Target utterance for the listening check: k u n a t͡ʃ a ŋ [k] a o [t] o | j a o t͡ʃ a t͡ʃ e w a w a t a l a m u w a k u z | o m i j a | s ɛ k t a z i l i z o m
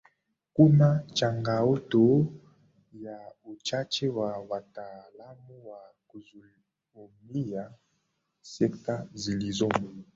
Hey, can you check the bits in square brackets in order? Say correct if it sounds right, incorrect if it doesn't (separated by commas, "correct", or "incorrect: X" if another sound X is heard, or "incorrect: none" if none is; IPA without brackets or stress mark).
incorrect: ɡ, correct